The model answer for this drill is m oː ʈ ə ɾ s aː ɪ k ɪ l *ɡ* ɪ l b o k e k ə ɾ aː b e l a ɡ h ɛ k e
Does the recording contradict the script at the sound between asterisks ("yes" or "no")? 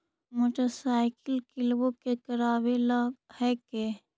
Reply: yes